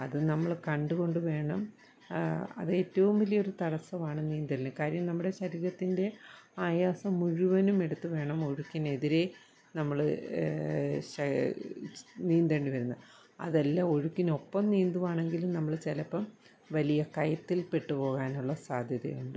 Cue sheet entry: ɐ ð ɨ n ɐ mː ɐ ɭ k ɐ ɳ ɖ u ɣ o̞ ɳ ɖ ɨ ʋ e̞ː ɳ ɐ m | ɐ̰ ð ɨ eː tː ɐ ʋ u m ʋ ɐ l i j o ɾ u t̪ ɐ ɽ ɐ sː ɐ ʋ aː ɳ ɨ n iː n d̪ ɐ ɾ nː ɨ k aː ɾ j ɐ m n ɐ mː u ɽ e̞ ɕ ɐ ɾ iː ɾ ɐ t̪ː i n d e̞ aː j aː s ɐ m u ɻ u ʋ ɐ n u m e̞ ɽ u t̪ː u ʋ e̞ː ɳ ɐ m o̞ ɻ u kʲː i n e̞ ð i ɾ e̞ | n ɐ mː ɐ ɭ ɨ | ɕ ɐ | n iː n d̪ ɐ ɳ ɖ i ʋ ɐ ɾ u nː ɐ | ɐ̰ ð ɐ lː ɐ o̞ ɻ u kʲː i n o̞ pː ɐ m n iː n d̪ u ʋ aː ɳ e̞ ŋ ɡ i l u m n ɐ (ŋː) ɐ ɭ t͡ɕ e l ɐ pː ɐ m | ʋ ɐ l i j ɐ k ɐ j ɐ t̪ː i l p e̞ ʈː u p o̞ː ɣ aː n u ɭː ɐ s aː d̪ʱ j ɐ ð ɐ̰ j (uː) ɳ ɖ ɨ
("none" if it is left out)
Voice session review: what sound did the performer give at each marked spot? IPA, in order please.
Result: mː, u

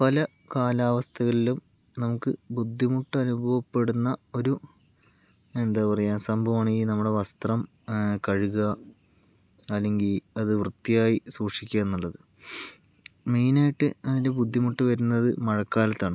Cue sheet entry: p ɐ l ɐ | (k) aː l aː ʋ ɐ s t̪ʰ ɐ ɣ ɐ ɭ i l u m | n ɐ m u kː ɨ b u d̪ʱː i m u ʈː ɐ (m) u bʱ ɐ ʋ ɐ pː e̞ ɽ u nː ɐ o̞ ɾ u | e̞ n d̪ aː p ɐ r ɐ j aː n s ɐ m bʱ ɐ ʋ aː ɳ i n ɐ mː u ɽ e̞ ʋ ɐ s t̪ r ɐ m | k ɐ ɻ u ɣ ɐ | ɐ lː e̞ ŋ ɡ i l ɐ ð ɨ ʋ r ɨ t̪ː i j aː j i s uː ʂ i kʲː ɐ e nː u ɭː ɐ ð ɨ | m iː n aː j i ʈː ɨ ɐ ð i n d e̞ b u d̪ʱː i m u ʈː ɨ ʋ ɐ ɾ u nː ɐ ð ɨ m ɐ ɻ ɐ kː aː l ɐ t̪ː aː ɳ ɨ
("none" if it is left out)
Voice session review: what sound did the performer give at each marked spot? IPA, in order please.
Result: k, n

